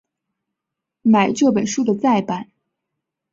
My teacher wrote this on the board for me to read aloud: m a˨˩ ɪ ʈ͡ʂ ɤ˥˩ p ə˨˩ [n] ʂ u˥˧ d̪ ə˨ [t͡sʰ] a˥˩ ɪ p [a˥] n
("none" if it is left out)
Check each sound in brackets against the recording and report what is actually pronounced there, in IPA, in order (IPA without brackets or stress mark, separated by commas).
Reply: n, t͡s, a˨˩˦